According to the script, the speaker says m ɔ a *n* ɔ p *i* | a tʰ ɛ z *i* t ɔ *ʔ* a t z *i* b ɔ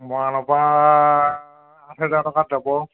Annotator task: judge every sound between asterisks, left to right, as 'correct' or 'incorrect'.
correct, incorrect: a, incorrect: a, incorrect: k, incorrect: a

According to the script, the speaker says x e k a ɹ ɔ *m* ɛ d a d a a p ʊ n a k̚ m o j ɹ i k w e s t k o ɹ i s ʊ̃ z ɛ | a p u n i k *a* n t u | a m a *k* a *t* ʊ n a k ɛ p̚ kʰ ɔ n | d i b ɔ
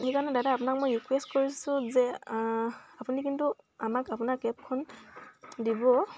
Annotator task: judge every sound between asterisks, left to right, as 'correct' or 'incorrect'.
incorrect: n, incorrect: i, correct, incorrect: p

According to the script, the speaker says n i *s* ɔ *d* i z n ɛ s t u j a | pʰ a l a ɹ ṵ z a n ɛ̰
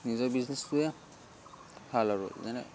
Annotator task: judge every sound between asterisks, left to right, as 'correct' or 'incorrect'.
incorrect: z, incorrect: b

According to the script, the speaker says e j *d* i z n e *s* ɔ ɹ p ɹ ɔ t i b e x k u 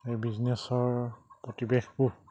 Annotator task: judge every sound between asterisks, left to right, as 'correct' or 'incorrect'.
incorrect: b, correct

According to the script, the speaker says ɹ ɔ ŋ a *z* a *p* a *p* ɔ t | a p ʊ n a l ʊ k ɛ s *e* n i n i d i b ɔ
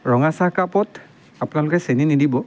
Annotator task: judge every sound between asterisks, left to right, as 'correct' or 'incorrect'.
incorrect: s, incorrect: k, correct, correct

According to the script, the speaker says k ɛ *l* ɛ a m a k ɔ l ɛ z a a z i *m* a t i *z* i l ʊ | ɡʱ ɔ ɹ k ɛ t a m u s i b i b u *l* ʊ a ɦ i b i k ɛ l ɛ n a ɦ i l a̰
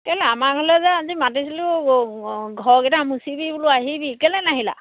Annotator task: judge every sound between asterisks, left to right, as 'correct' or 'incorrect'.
correct, correct, incorrect: s, correct

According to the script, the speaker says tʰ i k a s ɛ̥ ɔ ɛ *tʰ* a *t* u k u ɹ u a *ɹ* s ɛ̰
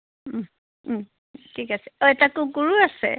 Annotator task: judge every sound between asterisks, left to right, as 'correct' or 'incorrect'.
incorrect: t, incorrect: k, incorrect: none

